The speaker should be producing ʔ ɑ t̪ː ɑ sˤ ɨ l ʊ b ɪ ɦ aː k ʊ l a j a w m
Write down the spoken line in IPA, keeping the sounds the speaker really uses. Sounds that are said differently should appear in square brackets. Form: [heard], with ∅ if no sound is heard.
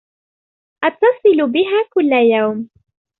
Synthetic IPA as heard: ʔ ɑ t̪ː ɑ sˤ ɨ l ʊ b ɪ ɦ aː k ʊ [lː] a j a w m